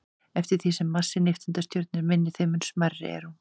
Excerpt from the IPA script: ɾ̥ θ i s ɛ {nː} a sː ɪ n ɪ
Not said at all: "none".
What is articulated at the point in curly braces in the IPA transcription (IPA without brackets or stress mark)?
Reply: mː